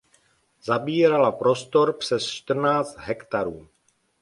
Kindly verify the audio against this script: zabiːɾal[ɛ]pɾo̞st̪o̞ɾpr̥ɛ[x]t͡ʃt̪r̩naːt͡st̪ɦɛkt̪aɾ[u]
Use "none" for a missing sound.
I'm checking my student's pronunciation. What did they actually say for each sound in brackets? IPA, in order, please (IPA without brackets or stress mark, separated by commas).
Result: a, s, uː